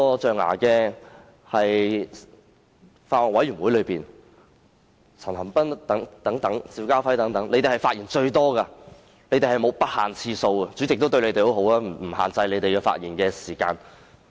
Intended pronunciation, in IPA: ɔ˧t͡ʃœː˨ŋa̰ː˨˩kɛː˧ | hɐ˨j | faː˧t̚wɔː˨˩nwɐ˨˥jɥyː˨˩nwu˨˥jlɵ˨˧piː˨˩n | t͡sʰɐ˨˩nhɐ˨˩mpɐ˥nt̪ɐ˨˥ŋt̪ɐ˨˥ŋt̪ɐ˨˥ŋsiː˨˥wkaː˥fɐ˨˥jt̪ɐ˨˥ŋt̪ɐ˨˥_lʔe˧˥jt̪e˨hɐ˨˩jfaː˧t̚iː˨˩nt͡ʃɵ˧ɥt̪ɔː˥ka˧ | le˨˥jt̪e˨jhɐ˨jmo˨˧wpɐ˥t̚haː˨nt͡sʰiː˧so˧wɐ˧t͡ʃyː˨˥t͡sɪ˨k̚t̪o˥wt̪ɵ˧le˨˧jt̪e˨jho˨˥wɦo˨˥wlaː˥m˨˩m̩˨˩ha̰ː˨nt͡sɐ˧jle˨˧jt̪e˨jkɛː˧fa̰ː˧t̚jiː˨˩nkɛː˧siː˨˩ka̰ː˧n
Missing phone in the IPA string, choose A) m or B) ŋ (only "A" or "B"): B